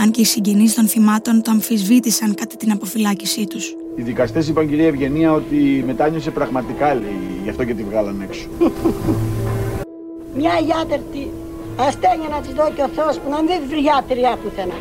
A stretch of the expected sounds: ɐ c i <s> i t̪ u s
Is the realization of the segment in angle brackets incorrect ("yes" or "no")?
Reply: no